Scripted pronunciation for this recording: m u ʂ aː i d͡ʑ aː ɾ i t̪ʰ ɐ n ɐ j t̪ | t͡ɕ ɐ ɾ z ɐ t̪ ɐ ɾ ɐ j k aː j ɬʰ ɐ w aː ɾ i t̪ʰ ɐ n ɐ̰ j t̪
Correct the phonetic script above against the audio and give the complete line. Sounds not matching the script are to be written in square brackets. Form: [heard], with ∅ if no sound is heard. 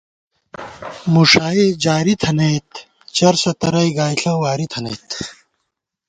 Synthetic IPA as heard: m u ʂ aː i d͡ʑ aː ɾ i t̪ʰ ɐ n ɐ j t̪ | t͡ɕ ɐ ɾ [s] ɐ t̪ ɐ ɾ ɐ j [ɡ] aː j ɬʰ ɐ w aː ɾ i t̪ʰ ɐ n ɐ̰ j t̪